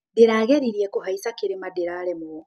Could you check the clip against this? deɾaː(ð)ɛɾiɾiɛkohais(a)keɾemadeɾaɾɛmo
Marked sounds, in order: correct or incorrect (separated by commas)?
incorrect, correct